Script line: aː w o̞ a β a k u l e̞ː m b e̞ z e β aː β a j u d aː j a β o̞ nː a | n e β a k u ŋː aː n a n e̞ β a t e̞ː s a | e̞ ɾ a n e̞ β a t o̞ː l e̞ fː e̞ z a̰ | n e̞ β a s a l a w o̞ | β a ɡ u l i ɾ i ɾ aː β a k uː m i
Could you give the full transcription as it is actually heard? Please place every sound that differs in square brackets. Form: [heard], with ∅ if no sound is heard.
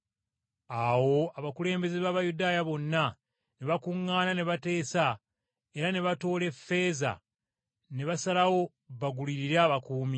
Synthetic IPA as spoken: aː w o̞ a β a k u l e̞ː m b e̞ z e β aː β a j u d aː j a β o̞ nː a | n e β a k u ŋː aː n a n e̞ β a t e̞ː s a | e̞ ɾ a n e̞ β a t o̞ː l e̞ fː e̞ z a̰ | n e̞ β a s a l a w o̞ | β a ɡ u l i ɾ i ɾ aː β a k uː m i